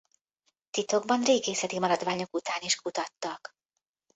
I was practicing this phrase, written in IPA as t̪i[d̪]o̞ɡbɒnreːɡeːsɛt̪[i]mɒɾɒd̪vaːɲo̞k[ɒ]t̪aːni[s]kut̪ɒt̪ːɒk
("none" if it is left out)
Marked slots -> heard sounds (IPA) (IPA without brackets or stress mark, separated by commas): t̪, i, u, ʃ